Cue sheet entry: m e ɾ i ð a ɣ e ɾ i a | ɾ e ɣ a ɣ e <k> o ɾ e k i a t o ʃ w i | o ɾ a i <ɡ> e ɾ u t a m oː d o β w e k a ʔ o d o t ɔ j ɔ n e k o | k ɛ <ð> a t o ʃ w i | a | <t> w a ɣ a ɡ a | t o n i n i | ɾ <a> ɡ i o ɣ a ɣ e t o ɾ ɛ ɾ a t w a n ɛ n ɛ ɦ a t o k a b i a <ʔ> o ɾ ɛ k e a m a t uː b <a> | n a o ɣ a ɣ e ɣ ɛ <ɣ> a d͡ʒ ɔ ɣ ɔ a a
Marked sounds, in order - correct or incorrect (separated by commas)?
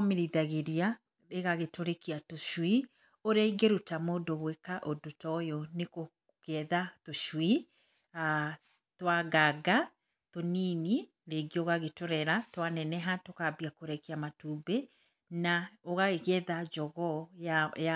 incorrect, correct, correct, correct, incorrect, incorrect, incorrect, incorrect